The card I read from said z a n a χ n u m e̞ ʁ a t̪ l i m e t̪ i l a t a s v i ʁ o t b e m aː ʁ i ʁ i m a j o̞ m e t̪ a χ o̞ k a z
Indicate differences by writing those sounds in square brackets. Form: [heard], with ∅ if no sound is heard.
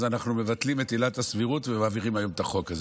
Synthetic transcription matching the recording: z a n a χ n u m e̞ [v] a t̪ l i m e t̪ i l a t a s v i ʁ [u] t [v] e m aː [v] i ʁ i m a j o̞ m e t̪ a χ o̞ k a z